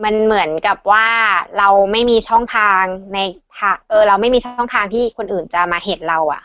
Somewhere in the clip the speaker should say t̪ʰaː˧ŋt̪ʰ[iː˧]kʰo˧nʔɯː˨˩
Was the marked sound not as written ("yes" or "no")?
yes